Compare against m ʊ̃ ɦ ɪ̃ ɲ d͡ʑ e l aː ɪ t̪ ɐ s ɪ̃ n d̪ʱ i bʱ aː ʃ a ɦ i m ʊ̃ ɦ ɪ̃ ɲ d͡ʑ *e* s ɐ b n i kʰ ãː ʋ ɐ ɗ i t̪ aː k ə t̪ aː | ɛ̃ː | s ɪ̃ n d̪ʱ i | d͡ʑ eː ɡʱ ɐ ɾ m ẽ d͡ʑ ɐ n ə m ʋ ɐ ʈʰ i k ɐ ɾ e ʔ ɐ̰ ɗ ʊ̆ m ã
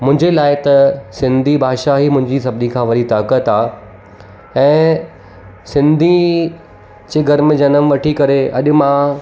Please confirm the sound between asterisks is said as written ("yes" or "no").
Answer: no